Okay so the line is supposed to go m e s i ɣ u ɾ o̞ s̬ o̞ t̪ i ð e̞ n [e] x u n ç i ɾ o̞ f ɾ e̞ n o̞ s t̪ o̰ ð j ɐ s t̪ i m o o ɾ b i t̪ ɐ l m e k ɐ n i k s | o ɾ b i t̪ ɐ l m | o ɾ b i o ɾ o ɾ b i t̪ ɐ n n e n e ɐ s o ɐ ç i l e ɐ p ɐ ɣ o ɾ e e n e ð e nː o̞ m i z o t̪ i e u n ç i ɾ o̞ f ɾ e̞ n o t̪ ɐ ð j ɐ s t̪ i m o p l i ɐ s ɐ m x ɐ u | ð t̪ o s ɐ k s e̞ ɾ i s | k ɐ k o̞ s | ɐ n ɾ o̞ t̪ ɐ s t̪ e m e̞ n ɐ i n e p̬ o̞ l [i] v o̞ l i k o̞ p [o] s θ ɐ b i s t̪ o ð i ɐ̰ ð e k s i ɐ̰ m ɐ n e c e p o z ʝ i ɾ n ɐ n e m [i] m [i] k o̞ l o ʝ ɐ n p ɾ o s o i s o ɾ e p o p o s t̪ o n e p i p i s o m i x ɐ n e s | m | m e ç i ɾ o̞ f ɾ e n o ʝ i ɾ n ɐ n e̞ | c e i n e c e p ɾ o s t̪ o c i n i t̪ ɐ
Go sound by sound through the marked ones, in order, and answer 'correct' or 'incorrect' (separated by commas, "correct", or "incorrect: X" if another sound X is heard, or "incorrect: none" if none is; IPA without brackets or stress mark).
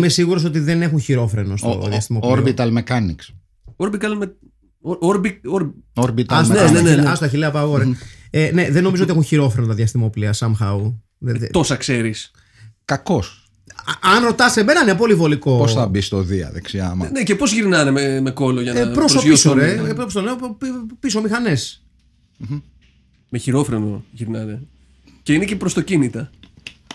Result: correct, correct, correct, incorrect: e, incorrect: e